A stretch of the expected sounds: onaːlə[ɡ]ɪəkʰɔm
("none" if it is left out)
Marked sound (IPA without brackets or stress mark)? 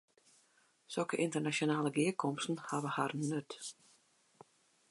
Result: ɡ